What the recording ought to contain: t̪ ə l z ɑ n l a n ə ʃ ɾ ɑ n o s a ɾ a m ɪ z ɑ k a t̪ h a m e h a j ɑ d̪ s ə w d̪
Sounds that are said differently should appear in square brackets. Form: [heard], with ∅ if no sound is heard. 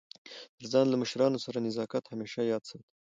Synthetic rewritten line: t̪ ə [ɾ] z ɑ n l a [m] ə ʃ ɾ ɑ n o s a ɾ a [n] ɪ z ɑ k a t̪ h a m e [ʃ] a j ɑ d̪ s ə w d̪